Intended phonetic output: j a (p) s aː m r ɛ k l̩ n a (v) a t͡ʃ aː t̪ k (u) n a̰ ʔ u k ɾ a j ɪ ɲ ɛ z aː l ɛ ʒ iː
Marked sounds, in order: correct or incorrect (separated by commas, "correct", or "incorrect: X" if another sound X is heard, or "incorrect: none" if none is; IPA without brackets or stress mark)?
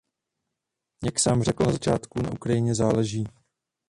incorrect: k, incorrect: z, correct